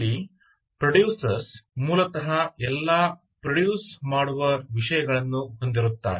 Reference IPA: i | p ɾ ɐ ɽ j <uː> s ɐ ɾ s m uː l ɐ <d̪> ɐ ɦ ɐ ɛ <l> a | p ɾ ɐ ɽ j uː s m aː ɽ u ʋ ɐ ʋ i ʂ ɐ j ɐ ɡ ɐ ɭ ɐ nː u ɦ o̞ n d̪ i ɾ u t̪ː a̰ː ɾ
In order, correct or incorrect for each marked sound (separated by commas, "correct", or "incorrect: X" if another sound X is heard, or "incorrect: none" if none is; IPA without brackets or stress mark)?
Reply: correct, incorrect: t̪, incorrect: lː